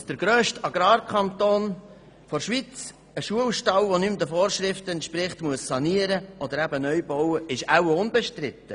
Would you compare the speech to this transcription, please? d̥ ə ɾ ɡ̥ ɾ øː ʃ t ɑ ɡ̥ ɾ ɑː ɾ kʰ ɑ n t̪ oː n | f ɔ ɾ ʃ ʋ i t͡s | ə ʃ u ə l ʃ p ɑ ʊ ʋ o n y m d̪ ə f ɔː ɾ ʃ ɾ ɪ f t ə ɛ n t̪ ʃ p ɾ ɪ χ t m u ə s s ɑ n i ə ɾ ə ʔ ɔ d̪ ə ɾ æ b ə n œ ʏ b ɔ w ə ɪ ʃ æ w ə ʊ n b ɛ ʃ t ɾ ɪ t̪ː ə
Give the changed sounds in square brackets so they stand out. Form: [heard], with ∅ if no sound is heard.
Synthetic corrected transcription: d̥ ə ɾ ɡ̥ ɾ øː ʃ t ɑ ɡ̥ ɾ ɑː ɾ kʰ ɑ n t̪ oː n | f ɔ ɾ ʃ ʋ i t͡s | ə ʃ u ə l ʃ [t] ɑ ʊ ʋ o n y m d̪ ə f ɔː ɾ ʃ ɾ ɪ f t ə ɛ n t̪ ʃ p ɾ ɪ χ t m u ə s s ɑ n i ə ɾ ə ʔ ɔ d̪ ə ɾ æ b ə n œ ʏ b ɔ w ə ɪ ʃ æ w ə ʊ n b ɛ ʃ t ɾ ɪ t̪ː ə